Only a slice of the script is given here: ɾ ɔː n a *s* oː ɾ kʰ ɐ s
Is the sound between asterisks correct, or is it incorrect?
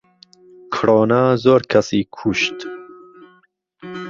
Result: incorrect